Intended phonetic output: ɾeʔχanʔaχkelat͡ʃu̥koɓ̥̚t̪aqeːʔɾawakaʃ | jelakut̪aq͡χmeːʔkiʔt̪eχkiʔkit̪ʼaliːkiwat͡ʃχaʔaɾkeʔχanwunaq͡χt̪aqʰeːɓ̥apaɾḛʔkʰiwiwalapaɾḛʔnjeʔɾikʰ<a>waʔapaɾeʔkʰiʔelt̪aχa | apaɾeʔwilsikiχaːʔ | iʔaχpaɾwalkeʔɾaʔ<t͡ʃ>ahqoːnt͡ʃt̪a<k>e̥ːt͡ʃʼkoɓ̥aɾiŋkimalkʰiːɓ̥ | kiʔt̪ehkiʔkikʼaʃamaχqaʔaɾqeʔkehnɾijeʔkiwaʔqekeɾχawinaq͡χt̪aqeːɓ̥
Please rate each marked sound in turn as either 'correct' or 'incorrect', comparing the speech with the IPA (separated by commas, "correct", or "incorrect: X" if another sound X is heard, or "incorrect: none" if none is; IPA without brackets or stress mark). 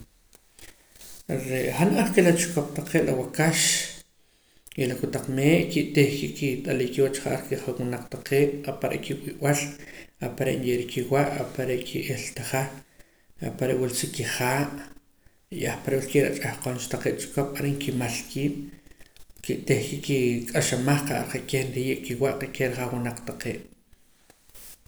incorrect: i, incorrect: t͡ʃʼ, incorrect: q